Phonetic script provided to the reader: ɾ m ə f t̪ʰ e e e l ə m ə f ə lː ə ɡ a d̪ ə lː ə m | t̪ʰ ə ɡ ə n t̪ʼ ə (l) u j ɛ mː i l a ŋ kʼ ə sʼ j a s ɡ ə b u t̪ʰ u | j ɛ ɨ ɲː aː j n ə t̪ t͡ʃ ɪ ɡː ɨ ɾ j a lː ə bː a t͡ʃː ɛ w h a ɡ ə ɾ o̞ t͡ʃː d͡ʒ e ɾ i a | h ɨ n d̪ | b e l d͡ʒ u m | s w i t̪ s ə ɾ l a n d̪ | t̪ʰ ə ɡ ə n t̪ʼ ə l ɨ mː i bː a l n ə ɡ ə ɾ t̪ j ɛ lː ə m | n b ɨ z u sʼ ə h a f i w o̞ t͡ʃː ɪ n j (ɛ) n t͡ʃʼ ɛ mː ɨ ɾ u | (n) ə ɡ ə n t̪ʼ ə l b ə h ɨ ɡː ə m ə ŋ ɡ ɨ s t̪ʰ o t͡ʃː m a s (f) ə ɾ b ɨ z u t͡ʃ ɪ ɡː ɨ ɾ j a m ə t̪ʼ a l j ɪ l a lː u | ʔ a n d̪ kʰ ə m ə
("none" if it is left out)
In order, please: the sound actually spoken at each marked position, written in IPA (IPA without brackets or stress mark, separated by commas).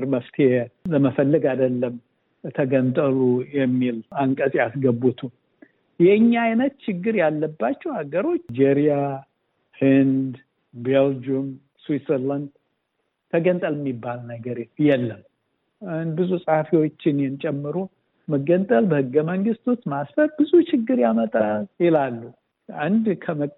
l, ɛ, m, f